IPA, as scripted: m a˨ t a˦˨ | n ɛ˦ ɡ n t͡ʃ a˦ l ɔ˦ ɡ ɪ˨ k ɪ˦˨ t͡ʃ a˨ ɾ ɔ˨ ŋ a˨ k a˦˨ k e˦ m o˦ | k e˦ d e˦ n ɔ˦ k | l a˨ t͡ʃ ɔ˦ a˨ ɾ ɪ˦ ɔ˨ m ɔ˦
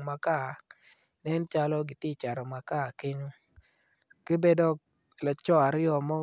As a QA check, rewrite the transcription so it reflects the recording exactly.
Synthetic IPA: m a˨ k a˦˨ | n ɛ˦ n t͡ʃ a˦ l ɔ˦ ɡ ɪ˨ t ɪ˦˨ t͡ʃ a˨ ɾ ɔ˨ m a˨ k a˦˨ k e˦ ɲ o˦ | k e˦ b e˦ d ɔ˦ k | l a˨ t͡ʃ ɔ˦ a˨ ɾ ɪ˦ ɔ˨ m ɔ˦